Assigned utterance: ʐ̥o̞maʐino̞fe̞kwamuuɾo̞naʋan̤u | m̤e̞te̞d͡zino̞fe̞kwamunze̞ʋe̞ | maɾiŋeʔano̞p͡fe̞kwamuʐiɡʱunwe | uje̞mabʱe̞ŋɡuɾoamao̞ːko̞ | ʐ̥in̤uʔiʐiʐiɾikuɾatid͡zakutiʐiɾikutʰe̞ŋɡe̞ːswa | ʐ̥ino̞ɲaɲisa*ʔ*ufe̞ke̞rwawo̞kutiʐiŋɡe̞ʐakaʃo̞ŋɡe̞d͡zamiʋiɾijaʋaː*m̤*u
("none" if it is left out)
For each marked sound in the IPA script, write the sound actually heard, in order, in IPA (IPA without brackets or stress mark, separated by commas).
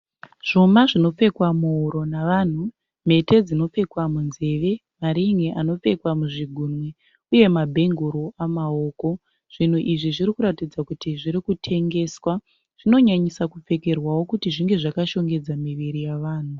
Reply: k, n̤